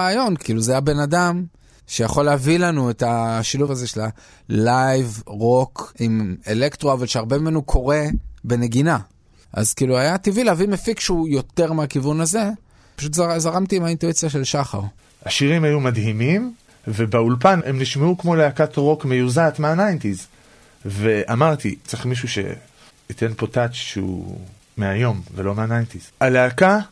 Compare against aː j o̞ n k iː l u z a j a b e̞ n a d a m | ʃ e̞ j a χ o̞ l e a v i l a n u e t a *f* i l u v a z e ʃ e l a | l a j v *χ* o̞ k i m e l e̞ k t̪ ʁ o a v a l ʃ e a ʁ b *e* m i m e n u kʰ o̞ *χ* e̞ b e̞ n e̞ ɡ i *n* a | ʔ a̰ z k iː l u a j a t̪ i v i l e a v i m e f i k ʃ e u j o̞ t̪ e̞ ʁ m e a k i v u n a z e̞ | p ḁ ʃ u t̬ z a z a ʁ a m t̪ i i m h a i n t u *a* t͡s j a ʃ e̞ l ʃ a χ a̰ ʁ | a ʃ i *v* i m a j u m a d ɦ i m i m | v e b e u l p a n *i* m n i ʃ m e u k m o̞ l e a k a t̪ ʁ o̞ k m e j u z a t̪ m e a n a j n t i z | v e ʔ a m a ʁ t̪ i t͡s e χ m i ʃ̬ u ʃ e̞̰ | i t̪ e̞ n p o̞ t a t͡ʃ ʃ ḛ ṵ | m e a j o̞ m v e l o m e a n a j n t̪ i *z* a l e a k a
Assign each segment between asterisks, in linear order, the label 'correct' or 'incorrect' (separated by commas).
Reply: incorrect, incorrect, correct, incorrect, correct, incorrect, incorrect, incorrect, correct